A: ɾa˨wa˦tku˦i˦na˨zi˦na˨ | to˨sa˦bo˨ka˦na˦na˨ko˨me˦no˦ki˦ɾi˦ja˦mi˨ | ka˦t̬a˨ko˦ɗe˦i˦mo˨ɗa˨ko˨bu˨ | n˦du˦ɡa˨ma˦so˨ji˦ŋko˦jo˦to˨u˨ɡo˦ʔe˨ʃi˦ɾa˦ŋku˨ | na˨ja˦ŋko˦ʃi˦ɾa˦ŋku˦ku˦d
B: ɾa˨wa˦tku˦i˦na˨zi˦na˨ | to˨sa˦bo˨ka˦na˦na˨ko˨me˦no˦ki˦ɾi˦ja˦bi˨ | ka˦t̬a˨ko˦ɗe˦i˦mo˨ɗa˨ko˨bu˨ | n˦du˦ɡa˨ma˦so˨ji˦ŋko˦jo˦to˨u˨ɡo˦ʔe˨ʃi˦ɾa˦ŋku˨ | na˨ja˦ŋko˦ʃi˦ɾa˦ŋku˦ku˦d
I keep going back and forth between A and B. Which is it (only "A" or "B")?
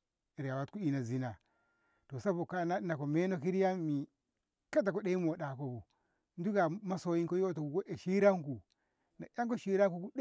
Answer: A